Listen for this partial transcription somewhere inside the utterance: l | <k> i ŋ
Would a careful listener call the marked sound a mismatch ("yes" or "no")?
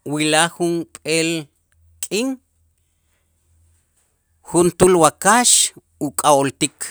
yes